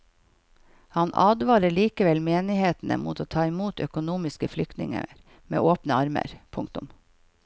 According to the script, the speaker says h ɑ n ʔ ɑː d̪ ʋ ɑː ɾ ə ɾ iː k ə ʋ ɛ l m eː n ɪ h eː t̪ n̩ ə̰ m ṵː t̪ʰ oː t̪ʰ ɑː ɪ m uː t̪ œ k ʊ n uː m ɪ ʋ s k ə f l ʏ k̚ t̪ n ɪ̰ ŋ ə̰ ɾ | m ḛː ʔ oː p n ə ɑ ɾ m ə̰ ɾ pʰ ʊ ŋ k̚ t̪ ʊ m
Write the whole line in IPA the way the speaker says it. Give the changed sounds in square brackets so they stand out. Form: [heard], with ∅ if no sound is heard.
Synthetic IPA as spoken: h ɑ n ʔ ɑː d̪ ʋ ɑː ɾ ə [ɭ] iː k ə ʋ ɛ l m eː n ɪ h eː t̪ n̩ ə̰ m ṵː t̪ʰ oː t̪ʰ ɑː ɪ m uː t̪ œ k ʊ n uː m ɪ [∅] s k ə f l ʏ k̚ t̪ n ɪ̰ ŋ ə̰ ɾ | m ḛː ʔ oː p n ə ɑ ɾ m ə̰ ɾ pʰ ʊ ŋ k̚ t̪ ʊ m

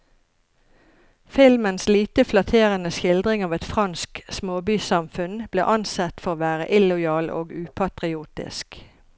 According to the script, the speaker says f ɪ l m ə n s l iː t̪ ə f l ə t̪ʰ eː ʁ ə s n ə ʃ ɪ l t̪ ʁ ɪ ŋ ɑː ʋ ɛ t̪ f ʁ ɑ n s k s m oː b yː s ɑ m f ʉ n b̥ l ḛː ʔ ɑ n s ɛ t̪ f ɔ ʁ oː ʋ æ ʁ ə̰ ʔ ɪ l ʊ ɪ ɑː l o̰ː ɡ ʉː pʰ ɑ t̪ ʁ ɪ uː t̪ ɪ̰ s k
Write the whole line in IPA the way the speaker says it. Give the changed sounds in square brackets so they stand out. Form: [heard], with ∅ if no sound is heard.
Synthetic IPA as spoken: f ɪ l m ə n s l iː t̪ ə f l [ɑ] t̪ʰ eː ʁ ə [∅] n ə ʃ ɪ l [d̪] ʁ ɪ ŋ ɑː ʋ ɛ t̪ f ʁ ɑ n s k s m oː b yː s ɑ m f ʉ n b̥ l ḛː ʔ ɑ n s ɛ t̪ f ɔ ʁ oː ʋ [æː] ʁ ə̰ ʔ ɪ l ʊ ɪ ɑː l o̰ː ɡ ʉː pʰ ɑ t̪ ʁ ɪ uː t̪ ɪ̰ s k

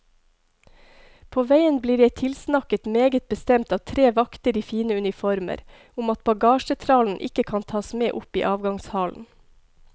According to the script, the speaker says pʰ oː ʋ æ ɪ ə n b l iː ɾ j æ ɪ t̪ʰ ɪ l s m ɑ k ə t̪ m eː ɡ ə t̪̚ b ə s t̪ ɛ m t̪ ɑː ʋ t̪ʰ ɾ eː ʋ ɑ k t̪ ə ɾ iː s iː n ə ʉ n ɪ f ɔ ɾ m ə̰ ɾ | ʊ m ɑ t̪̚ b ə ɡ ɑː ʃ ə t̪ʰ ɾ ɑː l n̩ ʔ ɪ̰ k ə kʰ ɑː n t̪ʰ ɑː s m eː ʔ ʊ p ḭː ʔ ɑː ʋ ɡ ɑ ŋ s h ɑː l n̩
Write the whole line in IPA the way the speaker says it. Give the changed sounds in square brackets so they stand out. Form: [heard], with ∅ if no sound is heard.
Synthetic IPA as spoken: pʰ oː ʋ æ ɪ ə n b l iː ɾ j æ ɪ t̪ʰ ɪ l s [n] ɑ k ə t̪ m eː ɡ ə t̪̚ b ə s t̪ ɛ m t̪ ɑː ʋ t̪ʰ ɾ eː ʋ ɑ k t̪ ə ɾ iː [f] iː n ə ʉ n ɪ f ɔ ɾ m ə̰ ɾ | ʊ m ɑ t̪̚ b [ɑ] ɡ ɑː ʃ ə t̪ʰ ɾ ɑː l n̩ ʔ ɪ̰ k ə kʰ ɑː n t̪ʰ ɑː s m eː ʔ ʊ p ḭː ʔ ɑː ʋ ɡ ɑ ŋ s h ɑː l n̩

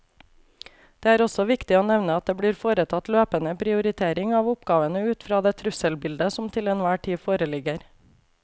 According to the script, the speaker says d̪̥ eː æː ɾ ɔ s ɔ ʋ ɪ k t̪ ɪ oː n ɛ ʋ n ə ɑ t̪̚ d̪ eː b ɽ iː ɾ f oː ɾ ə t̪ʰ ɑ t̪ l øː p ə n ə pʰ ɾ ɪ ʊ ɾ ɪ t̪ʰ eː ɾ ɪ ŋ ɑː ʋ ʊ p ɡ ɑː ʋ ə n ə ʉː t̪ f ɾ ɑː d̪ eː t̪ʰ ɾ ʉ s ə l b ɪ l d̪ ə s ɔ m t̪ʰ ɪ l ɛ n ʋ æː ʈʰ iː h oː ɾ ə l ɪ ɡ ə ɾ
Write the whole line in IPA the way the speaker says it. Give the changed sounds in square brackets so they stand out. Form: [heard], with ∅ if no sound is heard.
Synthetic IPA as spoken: d̪̥ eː æː ɾ ɔ s ɔ ʋ ɪ k t̪ ɪ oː n ɛ ʋ n ə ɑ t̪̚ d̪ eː b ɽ iː ɾ f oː ɾ ə t̪ʰ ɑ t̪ l øː p ə n ə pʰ ɾ ɪ ʊ ɾ ɪ t̪ʰ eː ɾ ɪ ŋ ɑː ʋ ʊ p ɡ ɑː ʋ ə n ə ʉː t̪ f ɾ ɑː d̪ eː t̪ʰ ɾ ʉ s ə l b ɪ l d̪ ə s ɔ m t̪ʰ ɪ l ɛ n ʋ æː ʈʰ iː [f] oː ɾ ə l ɪ ɡ ə ɾ

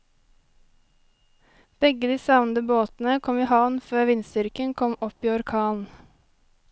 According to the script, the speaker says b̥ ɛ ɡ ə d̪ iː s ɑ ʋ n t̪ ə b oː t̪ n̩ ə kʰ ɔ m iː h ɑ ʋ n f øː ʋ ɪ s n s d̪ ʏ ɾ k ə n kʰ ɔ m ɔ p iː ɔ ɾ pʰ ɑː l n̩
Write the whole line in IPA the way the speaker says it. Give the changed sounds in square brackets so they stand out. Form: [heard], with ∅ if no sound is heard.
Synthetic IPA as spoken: b̥ ɛ ɡ ə d̪ iː s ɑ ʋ n [d̪] ə b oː t̪ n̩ ə kʰ ɔ m iː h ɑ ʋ n f øː ʋ ɪ [∅] n s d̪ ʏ ɾ k ə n kʰ ɔ m ɔ p iː ɔ ɾ [kʰ] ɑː l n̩

